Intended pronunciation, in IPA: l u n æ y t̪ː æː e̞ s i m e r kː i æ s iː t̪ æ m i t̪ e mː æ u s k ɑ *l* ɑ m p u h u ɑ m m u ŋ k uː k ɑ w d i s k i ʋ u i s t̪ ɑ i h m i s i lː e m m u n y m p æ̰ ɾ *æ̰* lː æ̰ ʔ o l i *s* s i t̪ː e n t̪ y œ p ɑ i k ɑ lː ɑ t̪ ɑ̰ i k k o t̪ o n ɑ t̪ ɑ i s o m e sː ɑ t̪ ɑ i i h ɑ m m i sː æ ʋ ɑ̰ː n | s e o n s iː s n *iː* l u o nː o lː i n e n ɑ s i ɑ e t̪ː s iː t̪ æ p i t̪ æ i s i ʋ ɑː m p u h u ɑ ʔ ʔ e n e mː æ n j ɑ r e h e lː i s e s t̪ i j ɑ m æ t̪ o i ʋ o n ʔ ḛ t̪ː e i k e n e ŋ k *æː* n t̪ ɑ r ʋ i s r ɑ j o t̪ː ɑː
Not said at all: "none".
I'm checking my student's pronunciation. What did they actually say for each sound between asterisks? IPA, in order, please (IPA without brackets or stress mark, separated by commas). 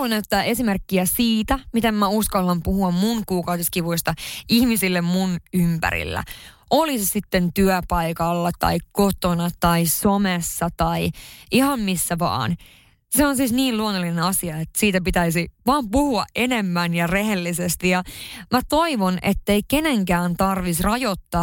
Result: lː, ḭ, s, iː, æː